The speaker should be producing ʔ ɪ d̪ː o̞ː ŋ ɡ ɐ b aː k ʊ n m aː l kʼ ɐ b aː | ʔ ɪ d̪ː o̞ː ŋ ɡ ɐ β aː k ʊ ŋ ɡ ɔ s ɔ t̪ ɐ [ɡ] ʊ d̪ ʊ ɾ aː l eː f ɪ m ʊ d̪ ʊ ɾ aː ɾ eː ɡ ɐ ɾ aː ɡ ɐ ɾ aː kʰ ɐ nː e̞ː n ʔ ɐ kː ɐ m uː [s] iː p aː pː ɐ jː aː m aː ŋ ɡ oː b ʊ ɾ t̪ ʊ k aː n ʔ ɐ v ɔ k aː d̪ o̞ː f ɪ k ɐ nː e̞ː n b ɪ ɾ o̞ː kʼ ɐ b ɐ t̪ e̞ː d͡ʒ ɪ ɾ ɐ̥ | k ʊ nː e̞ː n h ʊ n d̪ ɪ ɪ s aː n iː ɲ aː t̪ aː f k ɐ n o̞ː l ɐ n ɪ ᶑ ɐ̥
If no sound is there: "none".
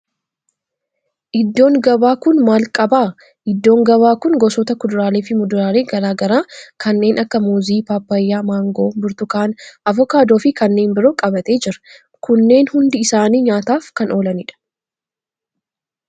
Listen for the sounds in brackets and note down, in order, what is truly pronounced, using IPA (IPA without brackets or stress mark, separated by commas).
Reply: k, z